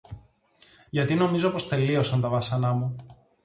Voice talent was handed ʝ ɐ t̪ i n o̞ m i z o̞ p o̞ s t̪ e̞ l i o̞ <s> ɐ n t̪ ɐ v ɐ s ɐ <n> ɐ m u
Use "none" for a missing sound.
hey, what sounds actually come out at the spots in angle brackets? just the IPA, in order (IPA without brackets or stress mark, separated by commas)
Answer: s, n